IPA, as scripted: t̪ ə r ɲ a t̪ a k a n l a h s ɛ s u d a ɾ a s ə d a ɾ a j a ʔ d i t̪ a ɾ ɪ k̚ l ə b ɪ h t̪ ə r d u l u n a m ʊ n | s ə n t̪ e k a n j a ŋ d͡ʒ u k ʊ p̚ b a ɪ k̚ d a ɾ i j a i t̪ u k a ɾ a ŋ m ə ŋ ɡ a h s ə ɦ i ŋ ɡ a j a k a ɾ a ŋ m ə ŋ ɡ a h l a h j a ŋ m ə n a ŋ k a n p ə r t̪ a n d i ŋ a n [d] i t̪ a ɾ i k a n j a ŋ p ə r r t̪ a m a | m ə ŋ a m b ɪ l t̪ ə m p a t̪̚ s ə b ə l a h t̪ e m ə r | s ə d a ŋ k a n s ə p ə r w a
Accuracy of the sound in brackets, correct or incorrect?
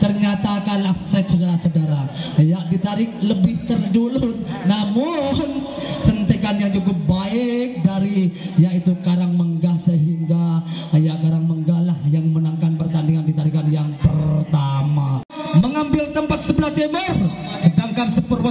correct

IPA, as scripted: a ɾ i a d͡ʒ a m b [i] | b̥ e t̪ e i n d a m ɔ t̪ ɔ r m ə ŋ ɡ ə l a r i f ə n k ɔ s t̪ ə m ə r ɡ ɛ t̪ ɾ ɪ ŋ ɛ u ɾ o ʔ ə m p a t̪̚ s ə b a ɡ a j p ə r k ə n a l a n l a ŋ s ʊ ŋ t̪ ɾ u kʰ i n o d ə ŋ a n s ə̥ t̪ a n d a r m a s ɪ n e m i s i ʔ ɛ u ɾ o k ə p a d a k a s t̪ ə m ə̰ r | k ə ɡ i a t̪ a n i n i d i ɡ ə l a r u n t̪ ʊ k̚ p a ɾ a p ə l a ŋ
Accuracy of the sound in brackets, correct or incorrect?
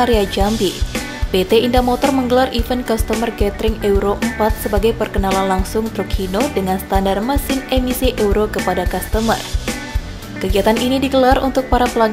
correct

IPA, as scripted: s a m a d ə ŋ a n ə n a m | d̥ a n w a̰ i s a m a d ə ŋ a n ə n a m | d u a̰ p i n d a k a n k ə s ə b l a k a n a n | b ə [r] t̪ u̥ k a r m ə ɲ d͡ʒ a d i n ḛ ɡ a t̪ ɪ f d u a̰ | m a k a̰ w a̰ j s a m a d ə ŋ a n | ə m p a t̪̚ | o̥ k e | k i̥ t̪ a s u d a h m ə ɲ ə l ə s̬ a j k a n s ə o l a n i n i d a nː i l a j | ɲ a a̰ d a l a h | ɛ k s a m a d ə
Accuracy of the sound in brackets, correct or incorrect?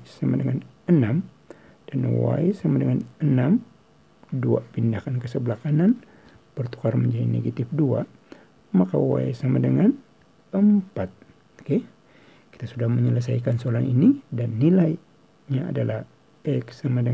correct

